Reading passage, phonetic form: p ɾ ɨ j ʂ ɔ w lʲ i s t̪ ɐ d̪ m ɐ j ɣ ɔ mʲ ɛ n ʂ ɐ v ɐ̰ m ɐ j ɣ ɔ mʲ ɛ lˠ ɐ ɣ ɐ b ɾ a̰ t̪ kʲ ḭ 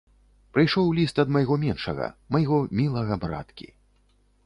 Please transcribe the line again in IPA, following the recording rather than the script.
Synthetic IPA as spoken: p ɾ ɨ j ʂ ɔ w lʲ i s t̪ ɐ d̪ m ɐ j ɣ ɔ mʲ ɛ n ʂ ɐ ɣ ɐ̰ m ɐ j ɣ ɔ mʲ i lˠ ɐ ɣ ɐ b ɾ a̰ t̪ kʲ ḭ